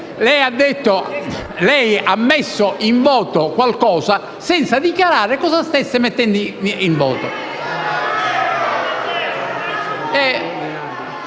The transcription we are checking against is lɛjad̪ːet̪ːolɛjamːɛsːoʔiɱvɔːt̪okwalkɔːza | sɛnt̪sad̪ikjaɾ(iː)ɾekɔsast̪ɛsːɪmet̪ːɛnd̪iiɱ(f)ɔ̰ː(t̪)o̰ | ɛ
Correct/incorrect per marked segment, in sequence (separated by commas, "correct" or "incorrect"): incorrect, incorrect, correct